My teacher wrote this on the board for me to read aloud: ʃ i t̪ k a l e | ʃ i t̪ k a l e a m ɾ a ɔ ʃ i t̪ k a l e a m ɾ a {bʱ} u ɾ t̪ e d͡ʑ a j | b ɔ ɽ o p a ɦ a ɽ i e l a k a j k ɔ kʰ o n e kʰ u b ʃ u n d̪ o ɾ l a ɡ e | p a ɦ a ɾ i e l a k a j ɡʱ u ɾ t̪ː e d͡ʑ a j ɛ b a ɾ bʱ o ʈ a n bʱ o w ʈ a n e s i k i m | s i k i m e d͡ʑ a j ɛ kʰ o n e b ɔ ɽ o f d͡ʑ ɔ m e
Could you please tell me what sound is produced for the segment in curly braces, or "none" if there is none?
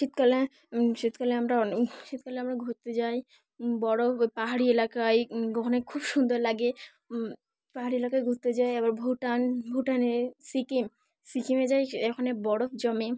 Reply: ɡʱ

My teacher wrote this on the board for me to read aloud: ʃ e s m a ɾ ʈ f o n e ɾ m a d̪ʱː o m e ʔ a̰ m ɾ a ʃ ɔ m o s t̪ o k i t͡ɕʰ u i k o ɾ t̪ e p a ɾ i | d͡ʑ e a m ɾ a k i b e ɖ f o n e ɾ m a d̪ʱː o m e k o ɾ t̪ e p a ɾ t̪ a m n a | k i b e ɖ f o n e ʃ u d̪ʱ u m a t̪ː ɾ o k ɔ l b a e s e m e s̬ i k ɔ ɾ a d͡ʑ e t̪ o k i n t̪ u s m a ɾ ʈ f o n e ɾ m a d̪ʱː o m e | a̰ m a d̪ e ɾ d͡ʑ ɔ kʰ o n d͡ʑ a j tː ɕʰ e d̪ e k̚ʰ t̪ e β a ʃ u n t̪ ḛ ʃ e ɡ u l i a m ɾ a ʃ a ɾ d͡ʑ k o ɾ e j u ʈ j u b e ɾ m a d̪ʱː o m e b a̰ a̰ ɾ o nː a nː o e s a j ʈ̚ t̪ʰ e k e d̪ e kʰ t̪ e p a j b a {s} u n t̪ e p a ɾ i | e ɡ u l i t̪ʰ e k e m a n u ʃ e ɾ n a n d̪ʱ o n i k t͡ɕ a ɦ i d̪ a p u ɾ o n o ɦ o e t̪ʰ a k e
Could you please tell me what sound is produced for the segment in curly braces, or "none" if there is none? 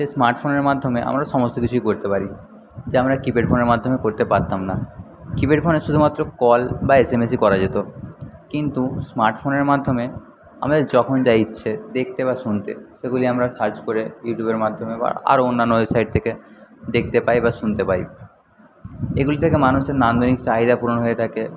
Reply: ʃ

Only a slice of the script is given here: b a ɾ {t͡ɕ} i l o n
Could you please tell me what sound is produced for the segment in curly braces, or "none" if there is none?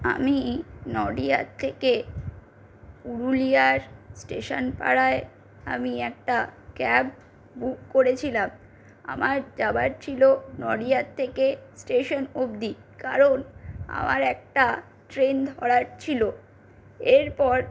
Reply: t͡ɕʰ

